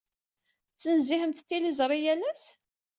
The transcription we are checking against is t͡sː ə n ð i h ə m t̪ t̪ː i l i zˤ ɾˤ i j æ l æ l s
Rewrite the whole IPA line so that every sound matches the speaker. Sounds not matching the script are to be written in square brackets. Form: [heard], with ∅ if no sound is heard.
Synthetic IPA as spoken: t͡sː ə n [z] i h ə m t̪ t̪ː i l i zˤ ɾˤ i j æ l æ [∅] s